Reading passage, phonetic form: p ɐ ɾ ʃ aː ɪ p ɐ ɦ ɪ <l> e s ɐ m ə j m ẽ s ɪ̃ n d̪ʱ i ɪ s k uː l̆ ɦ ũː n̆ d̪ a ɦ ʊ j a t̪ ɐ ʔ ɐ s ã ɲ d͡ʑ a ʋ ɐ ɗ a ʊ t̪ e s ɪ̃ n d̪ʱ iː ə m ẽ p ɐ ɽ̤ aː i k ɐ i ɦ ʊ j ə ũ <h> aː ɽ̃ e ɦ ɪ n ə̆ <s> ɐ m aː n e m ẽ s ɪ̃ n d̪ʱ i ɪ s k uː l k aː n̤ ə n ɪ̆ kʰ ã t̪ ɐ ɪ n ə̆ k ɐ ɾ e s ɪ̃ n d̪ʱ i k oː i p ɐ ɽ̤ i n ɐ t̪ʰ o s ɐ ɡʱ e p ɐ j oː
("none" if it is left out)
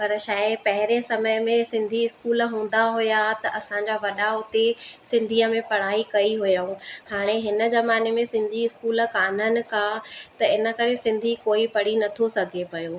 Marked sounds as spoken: ɾ, h, z

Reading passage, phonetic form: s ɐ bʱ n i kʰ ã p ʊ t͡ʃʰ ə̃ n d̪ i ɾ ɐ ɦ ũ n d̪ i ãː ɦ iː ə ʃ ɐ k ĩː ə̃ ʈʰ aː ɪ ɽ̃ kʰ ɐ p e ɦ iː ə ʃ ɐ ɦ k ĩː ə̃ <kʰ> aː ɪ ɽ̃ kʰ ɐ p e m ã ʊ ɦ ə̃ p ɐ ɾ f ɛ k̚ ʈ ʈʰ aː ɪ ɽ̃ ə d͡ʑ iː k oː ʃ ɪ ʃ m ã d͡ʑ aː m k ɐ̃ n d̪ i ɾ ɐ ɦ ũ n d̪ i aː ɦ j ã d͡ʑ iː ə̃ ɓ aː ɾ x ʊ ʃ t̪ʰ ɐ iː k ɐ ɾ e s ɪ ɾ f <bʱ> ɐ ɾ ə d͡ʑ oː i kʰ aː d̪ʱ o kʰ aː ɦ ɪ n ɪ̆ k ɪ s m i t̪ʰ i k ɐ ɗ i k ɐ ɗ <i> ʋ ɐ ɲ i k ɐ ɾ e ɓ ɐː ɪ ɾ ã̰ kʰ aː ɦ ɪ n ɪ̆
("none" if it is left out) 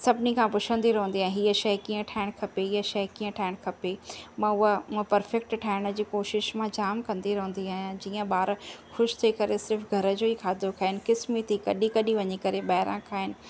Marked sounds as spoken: ʈʰ, ɡʱ, i

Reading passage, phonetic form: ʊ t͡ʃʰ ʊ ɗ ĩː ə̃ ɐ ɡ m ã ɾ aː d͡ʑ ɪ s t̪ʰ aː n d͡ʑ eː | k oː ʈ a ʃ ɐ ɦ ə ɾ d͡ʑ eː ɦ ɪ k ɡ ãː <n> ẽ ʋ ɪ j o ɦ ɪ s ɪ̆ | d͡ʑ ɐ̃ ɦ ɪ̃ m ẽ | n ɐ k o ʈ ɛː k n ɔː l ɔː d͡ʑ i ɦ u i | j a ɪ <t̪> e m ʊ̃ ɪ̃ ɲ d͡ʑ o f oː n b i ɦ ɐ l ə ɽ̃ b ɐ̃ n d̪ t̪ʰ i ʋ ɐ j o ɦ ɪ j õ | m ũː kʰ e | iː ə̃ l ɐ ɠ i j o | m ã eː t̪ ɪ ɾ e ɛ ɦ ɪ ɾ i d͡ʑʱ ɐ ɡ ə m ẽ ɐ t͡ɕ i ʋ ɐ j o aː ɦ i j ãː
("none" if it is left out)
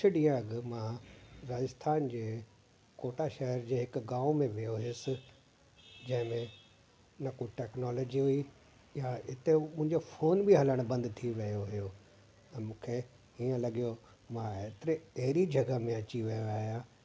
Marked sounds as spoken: m, t̪

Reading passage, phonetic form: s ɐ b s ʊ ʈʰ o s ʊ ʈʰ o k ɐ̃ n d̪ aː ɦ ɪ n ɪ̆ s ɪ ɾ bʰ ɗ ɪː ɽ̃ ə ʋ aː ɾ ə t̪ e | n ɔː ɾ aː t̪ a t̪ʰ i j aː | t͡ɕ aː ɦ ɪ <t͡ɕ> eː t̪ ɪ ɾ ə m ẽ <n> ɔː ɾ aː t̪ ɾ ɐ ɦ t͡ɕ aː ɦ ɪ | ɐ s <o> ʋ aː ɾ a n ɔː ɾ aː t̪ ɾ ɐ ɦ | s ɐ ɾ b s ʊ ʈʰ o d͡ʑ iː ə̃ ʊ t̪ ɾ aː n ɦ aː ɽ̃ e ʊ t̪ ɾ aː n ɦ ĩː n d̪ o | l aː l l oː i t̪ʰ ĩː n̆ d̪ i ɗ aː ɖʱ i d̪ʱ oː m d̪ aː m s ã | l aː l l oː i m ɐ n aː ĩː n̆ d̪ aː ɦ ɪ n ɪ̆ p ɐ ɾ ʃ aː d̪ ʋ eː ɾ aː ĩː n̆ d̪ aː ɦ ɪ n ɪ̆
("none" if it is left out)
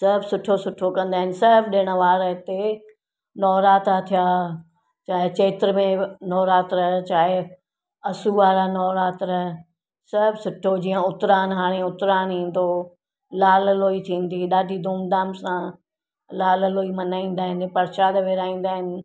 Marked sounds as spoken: t͡ɕ, n, u

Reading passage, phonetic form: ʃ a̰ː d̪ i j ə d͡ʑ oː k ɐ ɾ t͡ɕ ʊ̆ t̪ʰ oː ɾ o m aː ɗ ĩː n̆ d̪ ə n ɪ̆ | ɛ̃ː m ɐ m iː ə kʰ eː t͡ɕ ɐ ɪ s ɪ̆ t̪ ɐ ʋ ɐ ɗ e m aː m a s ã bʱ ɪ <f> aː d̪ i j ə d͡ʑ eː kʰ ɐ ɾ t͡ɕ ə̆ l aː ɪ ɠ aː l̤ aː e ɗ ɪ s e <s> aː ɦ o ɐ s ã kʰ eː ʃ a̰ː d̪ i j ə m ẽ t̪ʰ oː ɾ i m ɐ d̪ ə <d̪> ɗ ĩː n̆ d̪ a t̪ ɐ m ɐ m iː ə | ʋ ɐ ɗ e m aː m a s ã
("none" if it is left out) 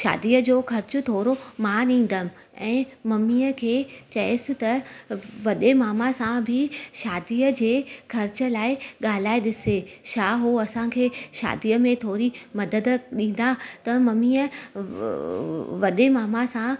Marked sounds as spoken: ʃ, ʃ, d̪

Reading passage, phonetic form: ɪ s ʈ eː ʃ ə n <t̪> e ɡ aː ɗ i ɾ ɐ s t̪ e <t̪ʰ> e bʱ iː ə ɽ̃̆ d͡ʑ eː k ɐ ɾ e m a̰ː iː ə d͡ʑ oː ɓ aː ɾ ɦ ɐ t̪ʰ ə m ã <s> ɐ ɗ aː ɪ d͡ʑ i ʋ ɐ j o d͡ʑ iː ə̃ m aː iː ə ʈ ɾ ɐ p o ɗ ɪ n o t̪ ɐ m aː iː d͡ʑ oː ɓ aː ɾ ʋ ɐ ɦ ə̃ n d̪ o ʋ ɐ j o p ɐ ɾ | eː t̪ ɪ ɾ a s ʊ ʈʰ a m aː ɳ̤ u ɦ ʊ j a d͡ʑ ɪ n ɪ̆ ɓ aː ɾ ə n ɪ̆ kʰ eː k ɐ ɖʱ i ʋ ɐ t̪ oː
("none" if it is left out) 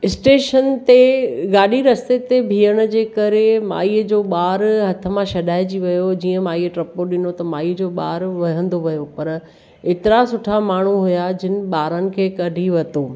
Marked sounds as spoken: t̪, t̪, ʃ

